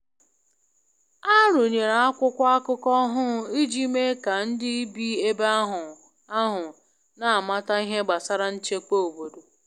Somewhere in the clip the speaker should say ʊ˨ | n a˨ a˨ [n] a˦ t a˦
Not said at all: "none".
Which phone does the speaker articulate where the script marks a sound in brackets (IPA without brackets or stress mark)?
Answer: m